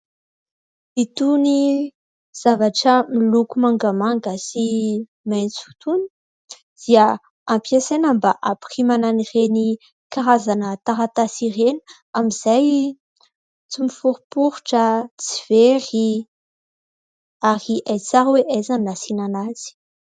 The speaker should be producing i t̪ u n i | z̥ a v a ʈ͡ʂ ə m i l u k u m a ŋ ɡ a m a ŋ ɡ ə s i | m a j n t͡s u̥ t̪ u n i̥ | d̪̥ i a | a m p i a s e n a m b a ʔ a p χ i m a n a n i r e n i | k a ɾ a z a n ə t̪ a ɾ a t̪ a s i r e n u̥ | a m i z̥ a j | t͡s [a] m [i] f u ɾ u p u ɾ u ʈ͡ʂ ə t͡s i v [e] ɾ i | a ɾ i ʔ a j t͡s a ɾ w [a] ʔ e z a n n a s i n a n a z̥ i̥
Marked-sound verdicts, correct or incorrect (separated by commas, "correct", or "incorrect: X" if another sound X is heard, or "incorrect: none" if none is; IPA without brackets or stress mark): incorrect: i, correct, correct, incorrect: e